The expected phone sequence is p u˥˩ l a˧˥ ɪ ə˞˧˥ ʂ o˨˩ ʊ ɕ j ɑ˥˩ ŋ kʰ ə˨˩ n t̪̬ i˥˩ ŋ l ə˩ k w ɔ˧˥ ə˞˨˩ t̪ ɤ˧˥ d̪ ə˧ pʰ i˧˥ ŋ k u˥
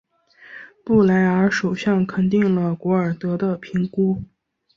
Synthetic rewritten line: p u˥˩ l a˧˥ ɪ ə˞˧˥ ʂ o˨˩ ʊ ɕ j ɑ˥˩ ŋ kʰ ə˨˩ n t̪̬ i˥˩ ŋ l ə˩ k w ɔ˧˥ ə˞˨˩ t̪ ɤ˧˥ d̪ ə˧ pʰ i˧˥ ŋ k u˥